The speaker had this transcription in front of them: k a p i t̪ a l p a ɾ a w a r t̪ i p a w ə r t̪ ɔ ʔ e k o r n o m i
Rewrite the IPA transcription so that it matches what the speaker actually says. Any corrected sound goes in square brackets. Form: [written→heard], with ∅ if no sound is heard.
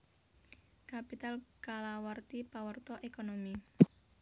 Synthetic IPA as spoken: k a p i t̪ a l [p→k] a [ɾ→l] a w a r t̪ i p a w ə r t̪ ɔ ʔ e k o [r→∅] n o m i

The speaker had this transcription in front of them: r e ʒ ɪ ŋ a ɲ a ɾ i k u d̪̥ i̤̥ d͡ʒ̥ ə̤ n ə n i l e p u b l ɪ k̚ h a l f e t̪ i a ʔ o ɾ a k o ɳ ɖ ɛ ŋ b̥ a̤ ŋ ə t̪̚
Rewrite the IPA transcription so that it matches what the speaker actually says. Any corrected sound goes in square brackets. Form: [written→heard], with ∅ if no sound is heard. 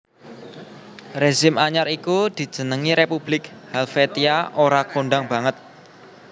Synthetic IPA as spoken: r e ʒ ɪ [ŋ→m] a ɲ a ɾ i k u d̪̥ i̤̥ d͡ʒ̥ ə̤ n ə [n→ŋ] i [l→ɾ] e p u b l ɪ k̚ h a l f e t̪ i a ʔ o ɾ a k o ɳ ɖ [ɛ→a] ŋ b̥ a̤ ŋ ə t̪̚

